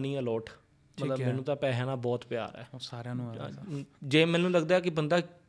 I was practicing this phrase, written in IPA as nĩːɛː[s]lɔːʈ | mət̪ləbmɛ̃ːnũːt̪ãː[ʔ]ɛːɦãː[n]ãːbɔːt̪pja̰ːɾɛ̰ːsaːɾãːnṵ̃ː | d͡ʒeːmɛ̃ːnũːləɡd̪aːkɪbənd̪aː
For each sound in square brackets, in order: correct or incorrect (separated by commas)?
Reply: incorrect, incorrect, correct